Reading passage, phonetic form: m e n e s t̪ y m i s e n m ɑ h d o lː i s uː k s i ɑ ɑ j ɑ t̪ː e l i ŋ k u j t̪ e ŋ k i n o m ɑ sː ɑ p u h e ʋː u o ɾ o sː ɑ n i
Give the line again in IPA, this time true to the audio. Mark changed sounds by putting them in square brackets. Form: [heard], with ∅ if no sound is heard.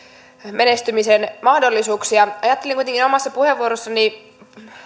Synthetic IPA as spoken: m e n e s t̪ y m i s e n m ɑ h d o lː i s uː k s i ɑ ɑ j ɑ t̪ː e l i ŋ k u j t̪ e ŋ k i n o m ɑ sː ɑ p u h e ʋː u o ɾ o sː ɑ n i

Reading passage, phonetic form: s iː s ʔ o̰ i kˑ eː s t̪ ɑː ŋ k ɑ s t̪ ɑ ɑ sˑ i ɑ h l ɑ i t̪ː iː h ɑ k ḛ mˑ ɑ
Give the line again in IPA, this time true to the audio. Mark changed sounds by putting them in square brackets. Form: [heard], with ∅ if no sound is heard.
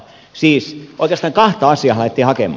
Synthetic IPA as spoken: s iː s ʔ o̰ i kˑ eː s t̪ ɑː ŋ k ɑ [h] t̪ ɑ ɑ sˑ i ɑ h l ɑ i t̪ː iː h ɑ k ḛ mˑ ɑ

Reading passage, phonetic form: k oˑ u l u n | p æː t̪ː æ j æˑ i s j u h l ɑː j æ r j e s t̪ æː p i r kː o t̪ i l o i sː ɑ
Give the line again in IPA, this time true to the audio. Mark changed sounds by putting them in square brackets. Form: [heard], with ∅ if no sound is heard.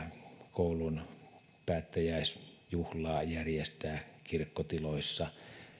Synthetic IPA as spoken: k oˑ u l u n | p æː t̪ː æ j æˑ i s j u h l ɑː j æ r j e s t̪ æː [k] i r kː o t̪ i l o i sː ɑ

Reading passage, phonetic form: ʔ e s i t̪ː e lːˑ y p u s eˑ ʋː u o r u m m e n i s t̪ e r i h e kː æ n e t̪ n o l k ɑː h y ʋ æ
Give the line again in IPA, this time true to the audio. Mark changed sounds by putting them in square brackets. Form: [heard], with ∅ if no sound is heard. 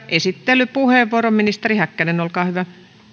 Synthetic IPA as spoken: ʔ e s i t̪ː e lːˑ y p u [h] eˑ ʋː u o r [o] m m [i] n i s t̪ e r i h [æ] kː æ n e [∅] n o l k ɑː h y ʋ æ

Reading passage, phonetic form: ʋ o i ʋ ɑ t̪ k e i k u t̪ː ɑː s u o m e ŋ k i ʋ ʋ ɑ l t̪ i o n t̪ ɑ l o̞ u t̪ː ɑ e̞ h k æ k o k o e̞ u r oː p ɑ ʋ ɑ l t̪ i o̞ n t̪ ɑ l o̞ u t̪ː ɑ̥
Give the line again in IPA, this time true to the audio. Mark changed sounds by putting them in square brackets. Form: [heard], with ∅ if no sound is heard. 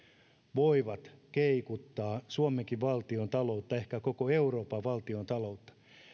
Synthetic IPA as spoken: ʋ o i ʋ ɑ t̪ k e i k u t̪ː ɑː s u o m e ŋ k i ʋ ʋ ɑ l t̪ i o n t̪ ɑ l o̞ u t̪ː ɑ e̞ h k æ k o k o e̞ u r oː p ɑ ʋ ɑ l t̪ i o̞ n t̪ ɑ l o̞ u t̪ː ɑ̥

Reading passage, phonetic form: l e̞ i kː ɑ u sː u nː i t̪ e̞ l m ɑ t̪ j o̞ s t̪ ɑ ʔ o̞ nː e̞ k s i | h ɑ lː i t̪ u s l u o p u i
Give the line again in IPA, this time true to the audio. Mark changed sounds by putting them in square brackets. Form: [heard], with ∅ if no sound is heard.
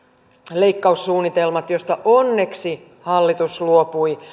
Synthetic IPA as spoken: l e̞ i kː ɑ u sː [uː] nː i t̪ e̞ l m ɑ t̪ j o̞ s t̪ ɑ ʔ o̞ nː e̞ k s i | h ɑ lː i t̪ u s l u o p u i

